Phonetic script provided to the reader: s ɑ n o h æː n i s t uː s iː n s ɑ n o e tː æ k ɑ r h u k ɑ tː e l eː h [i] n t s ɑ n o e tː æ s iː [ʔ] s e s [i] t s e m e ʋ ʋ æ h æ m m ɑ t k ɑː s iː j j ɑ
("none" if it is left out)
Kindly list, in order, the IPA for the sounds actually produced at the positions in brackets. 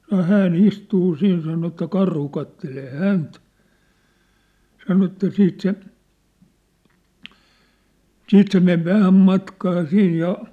æ, t, iː

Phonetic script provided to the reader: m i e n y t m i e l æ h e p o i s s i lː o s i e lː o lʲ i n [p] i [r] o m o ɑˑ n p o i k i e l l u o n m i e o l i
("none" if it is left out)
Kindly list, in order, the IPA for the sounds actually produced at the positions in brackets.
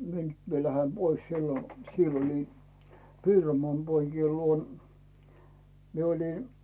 p, r

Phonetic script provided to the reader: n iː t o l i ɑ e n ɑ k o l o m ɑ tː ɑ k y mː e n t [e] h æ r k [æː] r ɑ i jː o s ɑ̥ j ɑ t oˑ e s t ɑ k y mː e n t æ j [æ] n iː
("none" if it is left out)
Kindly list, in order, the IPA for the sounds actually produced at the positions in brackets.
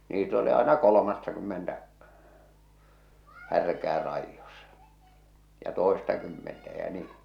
æ, æː, æ

